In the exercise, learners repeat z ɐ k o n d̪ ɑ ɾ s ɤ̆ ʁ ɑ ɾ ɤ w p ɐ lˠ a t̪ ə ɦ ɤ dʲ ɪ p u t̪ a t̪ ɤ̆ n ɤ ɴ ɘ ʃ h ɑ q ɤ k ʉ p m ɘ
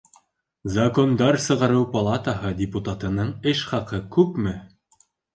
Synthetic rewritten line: z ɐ k o n d̪ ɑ ɾ s ɤ̆ ʁ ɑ ɾ ɤ w p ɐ lˠ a t̪ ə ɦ ɤ dʲ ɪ p u t̪ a t̪ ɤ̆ n ɤ ɴ ɘ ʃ χ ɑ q ɤ k ʉ p m ɘ